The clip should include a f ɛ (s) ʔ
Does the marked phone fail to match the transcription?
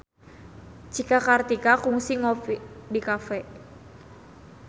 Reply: yes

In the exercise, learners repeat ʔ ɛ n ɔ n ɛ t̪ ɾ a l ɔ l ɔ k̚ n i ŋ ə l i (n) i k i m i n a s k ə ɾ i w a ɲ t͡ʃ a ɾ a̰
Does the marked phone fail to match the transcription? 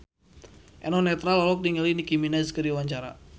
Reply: no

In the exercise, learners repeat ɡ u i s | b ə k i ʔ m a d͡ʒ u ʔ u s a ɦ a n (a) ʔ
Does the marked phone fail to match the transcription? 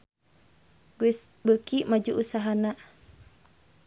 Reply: no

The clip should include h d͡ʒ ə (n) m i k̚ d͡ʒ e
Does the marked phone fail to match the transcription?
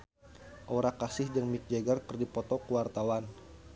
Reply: yes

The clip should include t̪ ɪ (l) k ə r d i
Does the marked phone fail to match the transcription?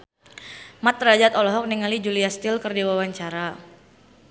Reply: no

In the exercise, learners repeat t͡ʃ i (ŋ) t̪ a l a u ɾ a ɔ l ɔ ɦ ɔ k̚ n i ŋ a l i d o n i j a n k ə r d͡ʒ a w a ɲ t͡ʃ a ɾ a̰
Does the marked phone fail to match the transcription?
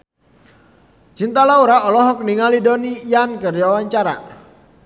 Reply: yes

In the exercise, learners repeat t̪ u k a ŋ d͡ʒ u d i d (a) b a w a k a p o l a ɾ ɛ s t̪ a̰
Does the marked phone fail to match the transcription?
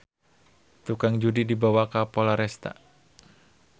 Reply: yes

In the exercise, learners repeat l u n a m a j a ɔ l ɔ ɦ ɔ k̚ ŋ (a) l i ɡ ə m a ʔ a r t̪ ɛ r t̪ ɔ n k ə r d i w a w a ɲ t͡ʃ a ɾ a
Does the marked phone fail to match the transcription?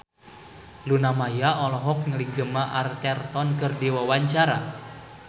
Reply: yes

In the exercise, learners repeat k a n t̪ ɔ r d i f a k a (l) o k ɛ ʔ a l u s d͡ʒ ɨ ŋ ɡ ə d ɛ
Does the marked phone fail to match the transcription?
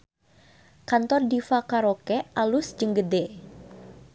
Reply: yes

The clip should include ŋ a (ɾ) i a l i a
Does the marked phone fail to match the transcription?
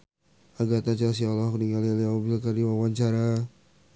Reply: yes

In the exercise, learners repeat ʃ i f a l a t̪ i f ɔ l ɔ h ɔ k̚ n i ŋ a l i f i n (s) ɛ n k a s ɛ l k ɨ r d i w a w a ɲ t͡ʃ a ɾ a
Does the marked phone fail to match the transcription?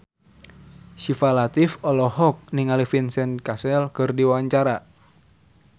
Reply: no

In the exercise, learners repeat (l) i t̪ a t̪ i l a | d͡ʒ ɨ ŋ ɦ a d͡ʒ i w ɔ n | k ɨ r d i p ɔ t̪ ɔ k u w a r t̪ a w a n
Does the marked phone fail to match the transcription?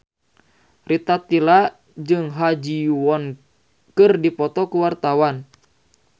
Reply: yes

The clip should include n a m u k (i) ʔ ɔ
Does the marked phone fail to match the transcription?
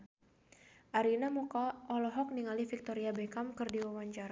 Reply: yes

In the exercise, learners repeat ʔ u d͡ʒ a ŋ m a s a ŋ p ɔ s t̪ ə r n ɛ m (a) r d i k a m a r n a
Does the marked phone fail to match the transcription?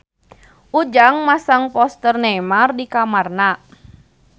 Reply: no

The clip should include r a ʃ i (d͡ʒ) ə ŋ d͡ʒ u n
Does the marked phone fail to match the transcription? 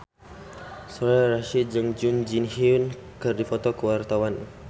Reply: no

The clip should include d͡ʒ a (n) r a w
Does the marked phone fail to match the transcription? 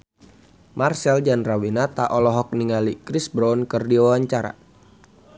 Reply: no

